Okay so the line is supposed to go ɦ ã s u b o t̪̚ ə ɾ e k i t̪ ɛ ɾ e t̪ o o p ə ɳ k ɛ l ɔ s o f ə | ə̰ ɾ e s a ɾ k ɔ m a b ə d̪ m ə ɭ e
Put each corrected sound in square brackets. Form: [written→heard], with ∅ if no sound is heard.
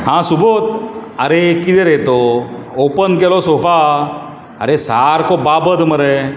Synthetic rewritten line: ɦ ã s u b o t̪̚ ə ɾ e k i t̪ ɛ ɾ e t̪ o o p ə [ɳ→n] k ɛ l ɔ s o f [ə→a] | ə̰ ɾ e s a ɾ k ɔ [m→b] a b ə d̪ m ə [ɭ→ɾ] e